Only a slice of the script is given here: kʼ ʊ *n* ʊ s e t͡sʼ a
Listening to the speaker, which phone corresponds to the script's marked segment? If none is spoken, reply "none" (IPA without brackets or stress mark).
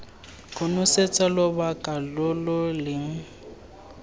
n